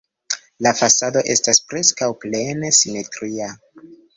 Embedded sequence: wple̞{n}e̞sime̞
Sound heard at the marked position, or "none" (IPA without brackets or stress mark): n